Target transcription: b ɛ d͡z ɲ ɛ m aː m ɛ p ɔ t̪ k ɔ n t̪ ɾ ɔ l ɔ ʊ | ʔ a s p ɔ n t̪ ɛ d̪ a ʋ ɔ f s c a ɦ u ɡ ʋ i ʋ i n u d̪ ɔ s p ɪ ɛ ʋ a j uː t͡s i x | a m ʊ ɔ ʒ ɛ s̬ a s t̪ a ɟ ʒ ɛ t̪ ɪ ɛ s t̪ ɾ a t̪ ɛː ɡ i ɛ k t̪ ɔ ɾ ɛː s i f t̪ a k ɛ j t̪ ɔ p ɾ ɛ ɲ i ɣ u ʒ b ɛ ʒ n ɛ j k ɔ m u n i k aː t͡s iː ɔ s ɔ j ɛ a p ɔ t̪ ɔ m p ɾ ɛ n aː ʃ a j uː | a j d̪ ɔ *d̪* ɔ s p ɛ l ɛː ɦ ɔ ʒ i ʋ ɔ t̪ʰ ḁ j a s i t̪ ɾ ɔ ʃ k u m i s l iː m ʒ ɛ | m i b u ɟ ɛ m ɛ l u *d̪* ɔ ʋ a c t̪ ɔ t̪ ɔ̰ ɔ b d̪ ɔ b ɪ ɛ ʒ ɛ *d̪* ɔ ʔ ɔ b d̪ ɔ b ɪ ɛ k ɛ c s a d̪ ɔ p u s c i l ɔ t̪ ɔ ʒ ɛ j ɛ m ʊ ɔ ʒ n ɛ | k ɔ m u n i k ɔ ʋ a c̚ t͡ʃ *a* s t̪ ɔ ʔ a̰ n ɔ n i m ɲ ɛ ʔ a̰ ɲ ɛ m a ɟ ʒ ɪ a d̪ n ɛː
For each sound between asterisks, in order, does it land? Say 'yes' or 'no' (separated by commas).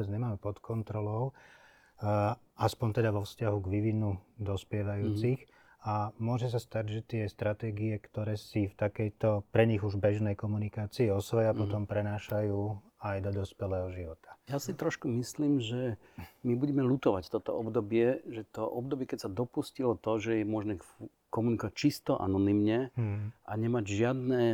yes, no, no, no